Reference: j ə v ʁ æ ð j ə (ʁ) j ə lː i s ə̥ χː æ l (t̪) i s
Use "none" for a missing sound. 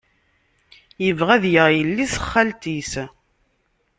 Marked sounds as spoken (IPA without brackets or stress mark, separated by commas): ʁ, t̪